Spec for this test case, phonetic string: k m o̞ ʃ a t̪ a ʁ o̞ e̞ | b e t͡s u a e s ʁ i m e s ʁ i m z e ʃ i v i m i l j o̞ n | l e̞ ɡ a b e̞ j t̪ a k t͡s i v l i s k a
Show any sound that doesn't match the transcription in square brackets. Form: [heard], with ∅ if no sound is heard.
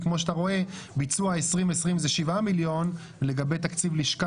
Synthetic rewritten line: k m o̞ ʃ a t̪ a ʁ o̞ e̞ | b [i] t͡s u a e s ʁ i m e s ʁ i m z e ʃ i v [a] m i l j o̞ n | l e̞ ɡ a b e̞ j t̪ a k t͡s i v l i [ʃ] k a